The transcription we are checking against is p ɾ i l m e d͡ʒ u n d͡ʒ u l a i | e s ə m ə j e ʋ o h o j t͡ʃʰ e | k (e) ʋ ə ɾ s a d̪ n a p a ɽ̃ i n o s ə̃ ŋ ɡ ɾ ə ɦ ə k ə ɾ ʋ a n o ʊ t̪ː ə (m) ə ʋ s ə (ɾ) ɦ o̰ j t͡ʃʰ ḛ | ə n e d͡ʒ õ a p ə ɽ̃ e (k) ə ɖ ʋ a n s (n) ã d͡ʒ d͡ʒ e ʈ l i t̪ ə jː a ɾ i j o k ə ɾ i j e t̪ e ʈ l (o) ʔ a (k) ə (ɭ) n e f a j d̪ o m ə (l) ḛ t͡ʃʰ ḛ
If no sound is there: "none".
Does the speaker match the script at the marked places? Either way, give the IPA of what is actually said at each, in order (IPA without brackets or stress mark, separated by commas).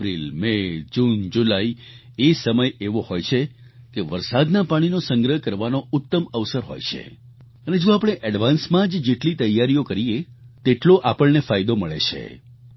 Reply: e, m, ɾ, ʔ, m, o, p, ɭ, ɭ